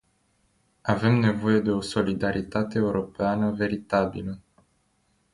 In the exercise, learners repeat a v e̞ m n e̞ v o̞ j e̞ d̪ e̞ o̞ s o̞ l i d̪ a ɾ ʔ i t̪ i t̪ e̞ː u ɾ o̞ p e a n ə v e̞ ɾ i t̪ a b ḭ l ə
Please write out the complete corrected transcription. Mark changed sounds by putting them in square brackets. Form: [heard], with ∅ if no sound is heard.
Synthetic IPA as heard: a v e̞ m n e̞ v o̞ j e̞ d̪ e̞ o̞ s o̞ l i d̪ a ɾ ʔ i t̪ [a] t̪ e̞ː u ɾ o̞ p e a n ə v e̞ ɾ i t̪ a b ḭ l ə